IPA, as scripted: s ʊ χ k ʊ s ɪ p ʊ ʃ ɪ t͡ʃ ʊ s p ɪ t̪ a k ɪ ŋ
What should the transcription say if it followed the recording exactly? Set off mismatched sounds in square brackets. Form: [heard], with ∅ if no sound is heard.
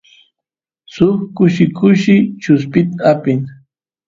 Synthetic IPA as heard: s ʊ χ k ʊ [ʃ] ɪ [k] ʊ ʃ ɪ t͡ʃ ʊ s p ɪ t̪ a [p] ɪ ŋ

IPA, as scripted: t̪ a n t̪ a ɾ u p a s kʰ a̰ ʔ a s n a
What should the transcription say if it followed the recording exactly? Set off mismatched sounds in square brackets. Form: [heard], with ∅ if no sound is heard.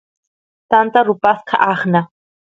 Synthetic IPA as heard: t̪ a n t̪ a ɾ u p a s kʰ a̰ ʔ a [χ] n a

